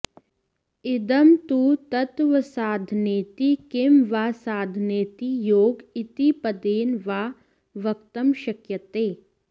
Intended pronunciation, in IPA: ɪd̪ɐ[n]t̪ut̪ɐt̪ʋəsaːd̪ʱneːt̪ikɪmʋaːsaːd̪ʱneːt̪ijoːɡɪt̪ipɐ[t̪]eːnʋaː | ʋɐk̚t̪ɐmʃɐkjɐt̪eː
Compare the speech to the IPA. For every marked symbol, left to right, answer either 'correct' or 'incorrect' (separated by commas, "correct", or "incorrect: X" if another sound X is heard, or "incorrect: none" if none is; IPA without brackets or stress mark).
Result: incorrect: m, incorrect: d̪